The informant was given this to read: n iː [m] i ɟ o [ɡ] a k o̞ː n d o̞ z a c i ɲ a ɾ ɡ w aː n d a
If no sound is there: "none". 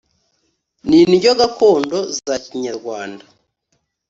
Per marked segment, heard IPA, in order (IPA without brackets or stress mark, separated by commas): n, ɡ